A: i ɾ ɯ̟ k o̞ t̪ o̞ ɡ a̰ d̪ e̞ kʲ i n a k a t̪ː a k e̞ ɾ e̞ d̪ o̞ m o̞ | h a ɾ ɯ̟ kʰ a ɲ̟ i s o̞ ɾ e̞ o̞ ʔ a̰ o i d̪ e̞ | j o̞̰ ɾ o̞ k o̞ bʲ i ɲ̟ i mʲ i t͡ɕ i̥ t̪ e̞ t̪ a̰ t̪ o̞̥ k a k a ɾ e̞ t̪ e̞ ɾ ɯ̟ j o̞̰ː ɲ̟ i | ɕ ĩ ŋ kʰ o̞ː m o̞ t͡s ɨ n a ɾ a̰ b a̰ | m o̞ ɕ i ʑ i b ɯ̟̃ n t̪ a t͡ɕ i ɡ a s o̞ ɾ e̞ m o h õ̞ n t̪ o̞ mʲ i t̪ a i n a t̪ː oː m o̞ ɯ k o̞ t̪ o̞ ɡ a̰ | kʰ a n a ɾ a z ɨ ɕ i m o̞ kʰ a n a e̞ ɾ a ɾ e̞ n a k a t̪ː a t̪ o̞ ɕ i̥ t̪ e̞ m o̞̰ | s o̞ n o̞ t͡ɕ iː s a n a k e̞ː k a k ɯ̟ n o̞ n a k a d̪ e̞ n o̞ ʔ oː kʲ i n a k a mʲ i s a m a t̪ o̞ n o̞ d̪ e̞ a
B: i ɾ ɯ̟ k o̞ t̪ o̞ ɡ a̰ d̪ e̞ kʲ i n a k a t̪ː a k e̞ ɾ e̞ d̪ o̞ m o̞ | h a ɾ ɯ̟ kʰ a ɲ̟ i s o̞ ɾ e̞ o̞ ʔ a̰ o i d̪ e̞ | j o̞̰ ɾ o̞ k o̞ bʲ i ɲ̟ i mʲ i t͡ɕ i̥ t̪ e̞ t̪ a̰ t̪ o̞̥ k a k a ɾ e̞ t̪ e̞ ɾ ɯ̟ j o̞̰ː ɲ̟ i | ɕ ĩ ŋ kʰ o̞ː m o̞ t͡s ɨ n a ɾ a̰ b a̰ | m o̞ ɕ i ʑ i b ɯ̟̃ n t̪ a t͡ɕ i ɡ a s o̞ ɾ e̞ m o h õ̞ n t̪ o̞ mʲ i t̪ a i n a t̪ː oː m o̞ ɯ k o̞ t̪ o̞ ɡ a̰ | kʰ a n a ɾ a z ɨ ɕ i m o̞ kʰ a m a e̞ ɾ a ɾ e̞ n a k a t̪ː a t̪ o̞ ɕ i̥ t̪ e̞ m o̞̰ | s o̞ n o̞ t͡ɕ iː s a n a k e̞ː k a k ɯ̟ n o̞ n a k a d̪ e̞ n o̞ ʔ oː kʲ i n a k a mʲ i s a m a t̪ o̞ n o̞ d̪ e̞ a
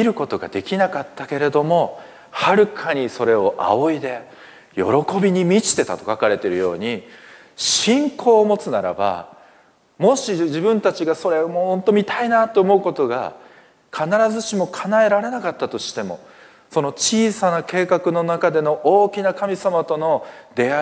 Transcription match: A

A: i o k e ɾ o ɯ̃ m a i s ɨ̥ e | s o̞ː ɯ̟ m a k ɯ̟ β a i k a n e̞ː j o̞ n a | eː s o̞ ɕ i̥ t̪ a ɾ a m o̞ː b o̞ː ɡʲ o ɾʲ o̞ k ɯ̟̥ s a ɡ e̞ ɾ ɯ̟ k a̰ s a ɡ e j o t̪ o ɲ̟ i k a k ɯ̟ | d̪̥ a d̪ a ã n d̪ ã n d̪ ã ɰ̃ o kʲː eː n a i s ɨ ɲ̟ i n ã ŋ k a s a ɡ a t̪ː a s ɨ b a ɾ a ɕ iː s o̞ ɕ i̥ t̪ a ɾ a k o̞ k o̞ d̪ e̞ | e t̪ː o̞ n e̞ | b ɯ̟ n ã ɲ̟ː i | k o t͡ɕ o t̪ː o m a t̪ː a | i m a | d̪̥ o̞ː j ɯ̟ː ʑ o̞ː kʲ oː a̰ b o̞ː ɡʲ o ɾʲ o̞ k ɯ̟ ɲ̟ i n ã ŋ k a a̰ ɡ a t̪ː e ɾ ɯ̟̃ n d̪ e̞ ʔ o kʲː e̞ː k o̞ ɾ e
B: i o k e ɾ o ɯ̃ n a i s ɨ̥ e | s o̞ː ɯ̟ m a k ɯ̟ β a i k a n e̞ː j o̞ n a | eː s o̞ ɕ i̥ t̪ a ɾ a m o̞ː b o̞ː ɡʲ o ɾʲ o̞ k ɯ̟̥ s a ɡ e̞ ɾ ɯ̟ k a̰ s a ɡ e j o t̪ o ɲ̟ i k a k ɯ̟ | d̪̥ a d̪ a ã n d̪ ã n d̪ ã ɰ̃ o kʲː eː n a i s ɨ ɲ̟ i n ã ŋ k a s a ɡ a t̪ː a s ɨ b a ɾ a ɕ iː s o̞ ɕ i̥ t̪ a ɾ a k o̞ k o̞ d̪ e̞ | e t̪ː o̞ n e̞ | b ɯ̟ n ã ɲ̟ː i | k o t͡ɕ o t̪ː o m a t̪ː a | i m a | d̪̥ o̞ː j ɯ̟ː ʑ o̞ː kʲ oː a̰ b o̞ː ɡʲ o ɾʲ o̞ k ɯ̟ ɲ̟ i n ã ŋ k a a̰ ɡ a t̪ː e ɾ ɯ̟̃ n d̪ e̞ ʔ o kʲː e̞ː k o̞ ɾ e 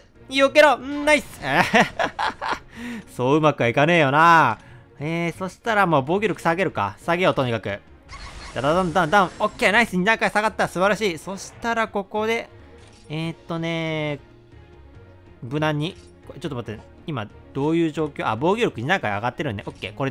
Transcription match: B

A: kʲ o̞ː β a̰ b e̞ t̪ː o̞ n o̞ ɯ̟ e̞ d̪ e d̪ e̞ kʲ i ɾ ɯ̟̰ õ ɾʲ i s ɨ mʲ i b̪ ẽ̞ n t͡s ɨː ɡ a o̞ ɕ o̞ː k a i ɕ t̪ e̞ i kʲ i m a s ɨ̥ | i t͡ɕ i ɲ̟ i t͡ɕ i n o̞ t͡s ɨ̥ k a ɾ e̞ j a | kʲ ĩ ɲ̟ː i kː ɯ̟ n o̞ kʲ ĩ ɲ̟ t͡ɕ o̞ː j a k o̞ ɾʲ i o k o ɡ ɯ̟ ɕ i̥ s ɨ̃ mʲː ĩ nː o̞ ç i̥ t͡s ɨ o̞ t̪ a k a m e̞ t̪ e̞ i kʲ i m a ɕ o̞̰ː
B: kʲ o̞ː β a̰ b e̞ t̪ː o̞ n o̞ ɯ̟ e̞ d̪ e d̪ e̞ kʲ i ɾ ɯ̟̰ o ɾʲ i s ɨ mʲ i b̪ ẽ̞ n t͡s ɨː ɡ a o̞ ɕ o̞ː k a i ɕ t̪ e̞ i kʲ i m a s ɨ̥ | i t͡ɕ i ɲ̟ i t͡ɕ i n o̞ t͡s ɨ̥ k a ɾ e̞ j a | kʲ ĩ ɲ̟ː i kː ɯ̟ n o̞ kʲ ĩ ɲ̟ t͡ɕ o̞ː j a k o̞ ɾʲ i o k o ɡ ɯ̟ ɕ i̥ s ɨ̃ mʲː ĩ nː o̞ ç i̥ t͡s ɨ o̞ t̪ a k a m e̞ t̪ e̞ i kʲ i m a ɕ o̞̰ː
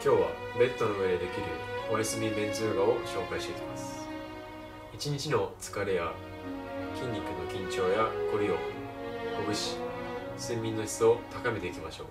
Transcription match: B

